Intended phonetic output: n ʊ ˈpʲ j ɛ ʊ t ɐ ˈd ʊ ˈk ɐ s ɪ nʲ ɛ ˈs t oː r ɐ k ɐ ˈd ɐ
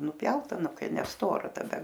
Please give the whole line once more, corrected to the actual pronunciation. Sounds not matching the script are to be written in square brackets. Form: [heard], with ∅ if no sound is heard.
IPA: n ʊ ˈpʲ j ɛ ʊ t ɐ [ˈn] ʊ ˈk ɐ [∅] ɪ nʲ ɛ ˈs t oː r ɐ [t] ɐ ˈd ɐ